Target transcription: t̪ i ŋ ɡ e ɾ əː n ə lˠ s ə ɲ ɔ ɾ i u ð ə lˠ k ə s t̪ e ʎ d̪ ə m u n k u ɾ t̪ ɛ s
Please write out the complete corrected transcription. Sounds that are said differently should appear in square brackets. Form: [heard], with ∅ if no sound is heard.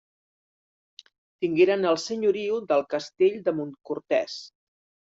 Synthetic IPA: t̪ i ŋ ɡ e ɾ [ə] n ə lˠ s ə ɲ [u] ɾ i u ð ə lˠ k ə s t̪ e ʎ d̪ ə m u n k u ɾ t̪ ɛ s